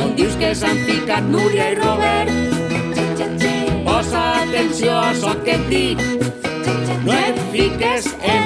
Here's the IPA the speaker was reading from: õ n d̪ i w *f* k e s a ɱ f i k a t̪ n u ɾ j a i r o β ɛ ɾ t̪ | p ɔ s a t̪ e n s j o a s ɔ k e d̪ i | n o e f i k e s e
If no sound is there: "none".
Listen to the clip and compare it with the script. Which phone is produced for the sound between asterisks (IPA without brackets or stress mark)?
s